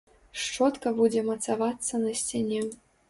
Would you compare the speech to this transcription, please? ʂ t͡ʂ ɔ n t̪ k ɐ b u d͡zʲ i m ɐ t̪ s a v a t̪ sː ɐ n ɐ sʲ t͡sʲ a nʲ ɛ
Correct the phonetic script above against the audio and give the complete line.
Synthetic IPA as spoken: ʂ t͡ʂ ɔ t̪ k ɐ b u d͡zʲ ɛ m ɐ t̪ s a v a t̪ sː ɐ n ɐ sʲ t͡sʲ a nʲ ɛ